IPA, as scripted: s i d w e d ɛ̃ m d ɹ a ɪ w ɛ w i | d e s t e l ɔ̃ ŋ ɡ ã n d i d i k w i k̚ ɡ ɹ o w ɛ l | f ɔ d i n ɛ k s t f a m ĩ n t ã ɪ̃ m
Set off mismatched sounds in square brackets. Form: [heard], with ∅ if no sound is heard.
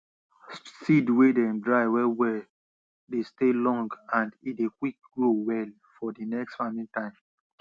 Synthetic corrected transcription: s i d w e d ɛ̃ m d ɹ a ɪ w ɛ w [ɛ] | d e s t e l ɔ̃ ŋ ɡ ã n d i d [e] k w i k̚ ɡ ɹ o w ɛ l | f ɔ d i n ɛ k s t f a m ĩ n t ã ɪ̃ m